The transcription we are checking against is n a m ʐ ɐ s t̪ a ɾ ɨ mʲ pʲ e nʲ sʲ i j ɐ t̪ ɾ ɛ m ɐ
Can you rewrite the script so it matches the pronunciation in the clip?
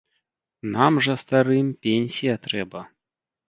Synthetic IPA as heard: n a m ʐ ɐ s t̪ a ɾ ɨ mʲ pʲ e nʲ sʲ i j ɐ t̪ ɾ ɛ b ɐ

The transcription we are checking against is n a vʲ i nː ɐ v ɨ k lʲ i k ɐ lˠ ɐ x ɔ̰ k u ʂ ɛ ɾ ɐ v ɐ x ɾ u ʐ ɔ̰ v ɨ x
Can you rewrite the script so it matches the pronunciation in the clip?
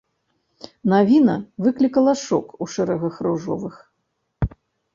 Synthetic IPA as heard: n a vʲ i n ɐ v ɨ k lʲ i k ɐ lˠ ɐ ʂ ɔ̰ k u ʂ ɛ ɾ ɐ ɣ ɐ x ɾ u ʐ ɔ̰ v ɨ x

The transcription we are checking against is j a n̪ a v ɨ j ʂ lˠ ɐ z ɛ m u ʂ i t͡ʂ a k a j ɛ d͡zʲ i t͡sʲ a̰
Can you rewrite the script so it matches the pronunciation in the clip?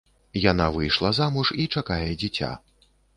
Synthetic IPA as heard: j a n̪ a v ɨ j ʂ lˠ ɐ z a m u ʂ i t͡ʂ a k a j ɛ d͡zʲ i t͡sʲ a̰

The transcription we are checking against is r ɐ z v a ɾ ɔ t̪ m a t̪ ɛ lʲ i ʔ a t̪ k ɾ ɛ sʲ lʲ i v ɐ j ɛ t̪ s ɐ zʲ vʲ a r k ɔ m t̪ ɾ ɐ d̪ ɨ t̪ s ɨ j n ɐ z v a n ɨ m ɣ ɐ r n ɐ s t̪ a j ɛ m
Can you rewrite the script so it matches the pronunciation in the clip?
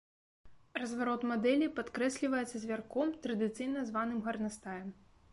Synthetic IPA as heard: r ɐ z v a ɾ ɔ t̪ m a d̪ ɛ lʲ i p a t̪ k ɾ ɛ sʲ lʲ i v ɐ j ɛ t̪ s ɐ zʲ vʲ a r k ɔ m t̪ ɾ ɐ d̪ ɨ t̪ s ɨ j n ɐ z v a n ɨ m ɣ ɐ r n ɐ s t̪ a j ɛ m

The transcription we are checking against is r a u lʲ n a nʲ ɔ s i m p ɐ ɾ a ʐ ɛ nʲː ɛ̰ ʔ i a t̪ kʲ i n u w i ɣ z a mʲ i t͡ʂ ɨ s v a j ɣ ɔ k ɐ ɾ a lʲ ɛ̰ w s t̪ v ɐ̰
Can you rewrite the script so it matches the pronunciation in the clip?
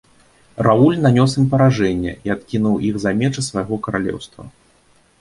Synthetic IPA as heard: r a u lʲ n a nʲ ɔ s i m p ɐ ɾ a ʐ ɛ nʲː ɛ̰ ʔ i a t̪ kʲ i n u w i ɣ z a mʲ ɛ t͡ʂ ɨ s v a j ɣ ɔ k ɐ ɾ a lʲ ɛ̰ w s t̪ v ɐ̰

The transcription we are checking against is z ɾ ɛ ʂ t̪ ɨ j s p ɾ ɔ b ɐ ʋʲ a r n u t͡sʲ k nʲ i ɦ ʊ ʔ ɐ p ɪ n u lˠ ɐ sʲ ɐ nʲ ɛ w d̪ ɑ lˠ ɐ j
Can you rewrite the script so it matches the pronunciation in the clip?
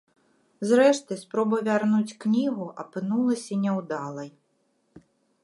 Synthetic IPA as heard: z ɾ ɛ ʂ t̪ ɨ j s p ɾ ɔ b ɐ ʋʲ a r n u t͡sʲ k nʲ i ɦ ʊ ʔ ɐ p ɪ n u lˠ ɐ sʲ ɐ nʲ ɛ w d̪ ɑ lˠ ɐ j

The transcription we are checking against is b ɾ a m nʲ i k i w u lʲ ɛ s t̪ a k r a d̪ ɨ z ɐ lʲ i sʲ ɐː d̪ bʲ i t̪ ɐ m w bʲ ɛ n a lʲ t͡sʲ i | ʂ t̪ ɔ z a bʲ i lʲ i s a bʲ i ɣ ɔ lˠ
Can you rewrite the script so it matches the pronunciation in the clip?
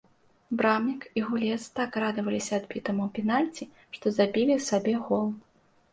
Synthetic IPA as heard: b ɾ a m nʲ i k i ɣ u lʲ ɛ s t̪ a k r a d̪ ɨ v ɐ lʲ i sʲ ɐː d̪ bʲ i t̪ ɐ m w pʲ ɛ n a lʲ t͡sʲ i | ʂ t̪ ɔ z a bʲ i lʲ i s a bʲ ɛ ɣ ɔ lˠ

